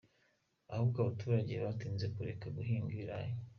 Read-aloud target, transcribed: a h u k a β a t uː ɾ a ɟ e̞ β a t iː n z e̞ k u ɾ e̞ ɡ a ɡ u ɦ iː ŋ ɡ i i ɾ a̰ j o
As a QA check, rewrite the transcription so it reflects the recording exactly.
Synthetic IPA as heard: a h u k a β a t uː ɾ a ɟ e̞ β a t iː n z e̞ k u ɾ e̞ k a ɡ u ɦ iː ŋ ɡ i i ɾ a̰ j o

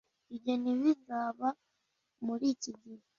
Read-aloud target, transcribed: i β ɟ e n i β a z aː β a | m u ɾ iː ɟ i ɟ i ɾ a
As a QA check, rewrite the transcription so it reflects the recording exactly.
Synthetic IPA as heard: i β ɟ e n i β i z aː β a | m u ɾ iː c i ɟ i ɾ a

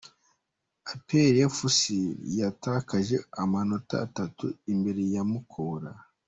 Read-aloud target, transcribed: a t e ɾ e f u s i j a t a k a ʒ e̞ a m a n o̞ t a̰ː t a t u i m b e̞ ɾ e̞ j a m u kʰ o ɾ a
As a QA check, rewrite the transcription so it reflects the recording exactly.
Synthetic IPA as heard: a p e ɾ e f u s i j a t a k a ʒ e̞ a m a n o̞ t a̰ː t a t u i m b e̞ ɾ e̞ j a m u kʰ o ɾ a

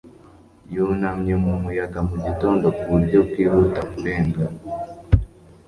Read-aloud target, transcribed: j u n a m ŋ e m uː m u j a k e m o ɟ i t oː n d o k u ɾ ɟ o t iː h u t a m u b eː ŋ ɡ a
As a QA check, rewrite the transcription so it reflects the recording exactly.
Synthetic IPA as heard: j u n a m ɲ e m u m u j a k a m u ɟ i t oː n d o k u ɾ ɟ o k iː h u t a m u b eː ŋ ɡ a

